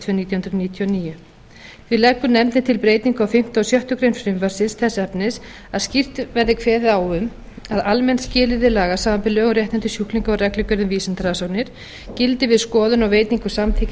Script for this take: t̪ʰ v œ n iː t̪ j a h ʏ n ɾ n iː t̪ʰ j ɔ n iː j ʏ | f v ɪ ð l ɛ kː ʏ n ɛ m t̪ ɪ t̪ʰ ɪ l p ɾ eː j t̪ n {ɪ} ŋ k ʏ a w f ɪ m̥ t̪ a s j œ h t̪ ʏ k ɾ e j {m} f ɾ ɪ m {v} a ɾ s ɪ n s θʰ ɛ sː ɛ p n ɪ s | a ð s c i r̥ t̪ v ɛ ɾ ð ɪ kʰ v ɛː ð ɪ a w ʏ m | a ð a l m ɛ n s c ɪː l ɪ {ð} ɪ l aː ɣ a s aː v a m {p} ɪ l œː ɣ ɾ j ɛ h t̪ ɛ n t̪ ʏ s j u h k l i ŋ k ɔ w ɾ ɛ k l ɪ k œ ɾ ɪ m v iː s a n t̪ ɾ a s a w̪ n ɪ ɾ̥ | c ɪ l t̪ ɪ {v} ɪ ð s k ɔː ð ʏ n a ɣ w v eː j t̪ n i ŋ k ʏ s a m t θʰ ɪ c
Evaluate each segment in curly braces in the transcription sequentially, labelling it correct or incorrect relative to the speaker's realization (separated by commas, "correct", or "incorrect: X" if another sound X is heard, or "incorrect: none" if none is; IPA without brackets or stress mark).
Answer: incorrect: i, incorrect: n, correct, correct, correct, correct